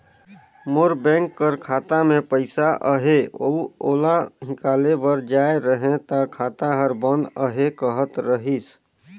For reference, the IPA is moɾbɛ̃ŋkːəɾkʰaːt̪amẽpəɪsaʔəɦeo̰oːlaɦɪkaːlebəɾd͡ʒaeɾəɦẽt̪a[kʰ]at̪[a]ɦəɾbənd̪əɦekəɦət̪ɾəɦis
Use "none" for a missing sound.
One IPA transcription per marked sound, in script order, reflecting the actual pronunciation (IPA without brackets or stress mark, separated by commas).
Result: kʰ, a